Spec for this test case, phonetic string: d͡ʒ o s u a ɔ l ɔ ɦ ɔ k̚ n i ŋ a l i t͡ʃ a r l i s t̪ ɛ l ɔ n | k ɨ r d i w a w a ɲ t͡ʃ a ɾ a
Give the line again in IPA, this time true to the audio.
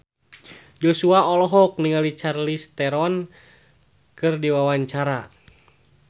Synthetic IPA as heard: d͡ʒ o s u a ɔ l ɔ ɦ ɔ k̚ n i ŋ a l i t͡ʃ a r l i s t̪ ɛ ɾ ɔ n | k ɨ r d i w a w a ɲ t͡ʃ a ɾ a